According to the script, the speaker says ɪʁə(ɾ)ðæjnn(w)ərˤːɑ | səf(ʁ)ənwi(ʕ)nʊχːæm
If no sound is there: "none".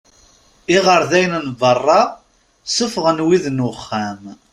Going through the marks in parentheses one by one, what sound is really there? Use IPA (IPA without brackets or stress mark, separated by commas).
ɾ, v, ʁ, ð